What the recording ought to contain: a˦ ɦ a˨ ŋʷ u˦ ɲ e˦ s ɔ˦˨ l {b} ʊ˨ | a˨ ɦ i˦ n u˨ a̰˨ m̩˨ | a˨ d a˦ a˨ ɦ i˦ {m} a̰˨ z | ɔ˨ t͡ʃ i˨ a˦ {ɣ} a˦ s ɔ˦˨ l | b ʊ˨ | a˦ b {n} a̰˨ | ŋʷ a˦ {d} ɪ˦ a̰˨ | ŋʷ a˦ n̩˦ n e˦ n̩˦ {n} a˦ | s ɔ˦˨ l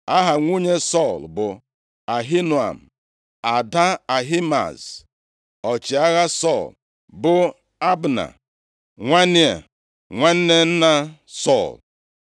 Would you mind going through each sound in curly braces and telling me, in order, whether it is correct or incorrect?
correct, correct, correct, correct, incorrect: n, correct

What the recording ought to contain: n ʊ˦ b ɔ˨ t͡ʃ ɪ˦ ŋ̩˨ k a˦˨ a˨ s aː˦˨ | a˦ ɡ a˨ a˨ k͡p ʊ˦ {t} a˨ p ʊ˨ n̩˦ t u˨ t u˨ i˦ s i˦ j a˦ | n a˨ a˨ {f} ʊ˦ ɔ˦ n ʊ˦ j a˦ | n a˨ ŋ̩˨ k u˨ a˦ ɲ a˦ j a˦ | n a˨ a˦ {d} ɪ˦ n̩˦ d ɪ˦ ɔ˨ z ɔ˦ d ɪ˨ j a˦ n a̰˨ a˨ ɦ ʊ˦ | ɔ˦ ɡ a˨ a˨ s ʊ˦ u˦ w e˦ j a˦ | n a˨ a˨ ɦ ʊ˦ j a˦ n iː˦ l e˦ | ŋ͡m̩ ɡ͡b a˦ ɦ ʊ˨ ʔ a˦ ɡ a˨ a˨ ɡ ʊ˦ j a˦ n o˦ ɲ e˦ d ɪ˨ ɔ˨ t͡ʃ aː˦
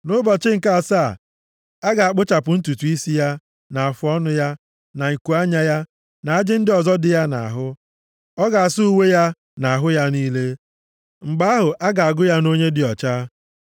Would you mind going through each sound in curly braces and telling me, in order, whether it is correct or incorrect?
incorrect: t͡ʃ, correct, incorrect: d͡ʒ

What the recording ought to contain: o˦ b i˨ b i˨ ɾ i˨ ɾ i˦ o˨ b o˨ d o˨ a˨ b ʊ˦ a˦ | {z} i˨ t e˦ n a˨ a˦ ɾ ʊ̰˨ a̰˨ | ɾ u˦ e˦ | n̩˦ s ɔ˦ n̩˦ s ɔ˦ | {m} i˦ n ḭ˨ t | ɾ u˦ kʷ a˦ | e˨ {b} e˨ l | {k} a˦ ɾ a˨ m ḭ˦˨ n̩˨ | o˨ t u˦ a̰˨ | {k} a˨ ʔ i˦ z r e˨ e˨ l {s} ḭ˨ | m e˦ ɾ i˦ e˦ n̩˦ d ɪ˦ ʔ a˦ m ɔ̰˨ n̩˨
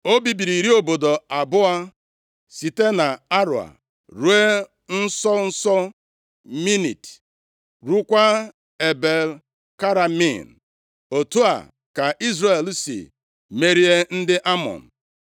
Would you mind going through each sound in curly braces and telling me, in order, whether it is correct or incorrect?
incorrect: s, correct, correct, correct, correct, correct

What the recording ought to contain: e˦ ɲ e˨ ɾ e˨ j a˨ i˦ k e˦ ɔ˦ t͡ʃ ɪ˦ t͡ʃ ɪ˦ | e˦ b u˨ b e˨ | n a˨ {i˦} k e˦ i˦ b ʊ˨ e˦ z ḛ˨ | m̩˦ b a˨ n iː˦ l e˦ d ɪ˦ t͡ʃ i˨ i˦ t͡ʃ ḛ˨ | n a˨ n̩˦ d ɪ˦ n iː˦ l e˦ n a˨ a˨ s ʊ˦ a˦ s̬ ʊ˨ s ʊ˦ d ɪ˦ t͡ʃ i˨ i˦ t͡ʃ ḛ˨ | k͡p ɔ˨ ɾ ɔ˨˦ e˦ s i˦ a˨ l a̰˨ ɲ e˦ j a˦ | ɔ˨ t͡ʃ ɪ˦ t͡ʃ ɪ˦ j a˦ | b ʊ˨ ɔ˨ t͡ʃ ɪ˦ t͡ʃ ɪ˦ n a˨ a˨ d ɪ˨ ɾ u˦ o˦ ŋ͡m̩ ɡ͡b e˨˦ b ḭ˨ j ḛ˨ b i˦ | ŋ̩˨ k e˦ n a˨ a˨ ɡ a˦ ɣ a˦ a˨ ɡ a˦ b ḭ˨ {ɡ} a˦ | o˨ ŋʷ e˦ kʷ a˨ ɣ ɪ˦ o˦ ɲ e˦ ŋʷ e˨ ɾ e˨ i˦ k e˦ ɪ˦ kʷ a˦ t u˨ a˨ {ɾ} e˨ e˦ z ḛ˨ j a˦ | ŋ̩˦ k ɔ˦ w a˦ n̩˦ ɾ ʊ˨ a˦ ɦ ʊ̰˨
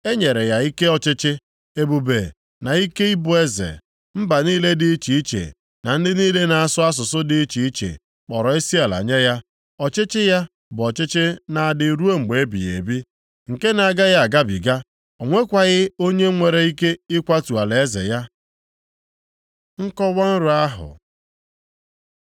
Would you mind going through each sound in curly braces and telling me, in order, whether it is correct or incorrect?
correct, correct, incorrect: l

